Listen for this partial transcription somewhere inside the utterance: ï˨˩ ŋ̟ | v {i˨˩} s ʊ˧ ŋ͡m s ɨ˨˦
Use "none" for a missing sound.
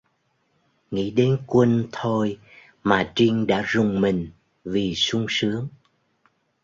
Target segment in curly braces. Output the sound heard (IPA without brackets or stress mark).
i˨˩